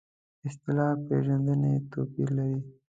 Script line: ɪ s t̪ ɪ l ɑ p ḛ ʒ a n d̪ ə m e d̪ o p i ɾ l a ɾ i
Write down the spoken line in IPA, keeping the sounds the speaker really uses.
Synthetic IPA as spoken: ɪ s t̪ ɪ l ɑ p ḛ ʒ a n d̪ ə n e t̪ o p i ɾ l a ɾ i